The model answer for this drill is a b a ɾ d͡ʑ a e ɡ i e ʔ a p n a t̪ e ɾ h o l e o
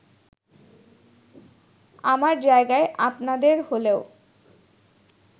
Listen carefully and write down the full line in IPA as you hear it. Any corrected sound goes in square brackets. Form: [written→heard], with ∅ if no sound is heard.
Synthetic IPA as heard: a [b→m] a ɾ d͡ʑ a e ɡ [i→a] e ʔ a p n a [t̪→d̪] e ɾ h o l e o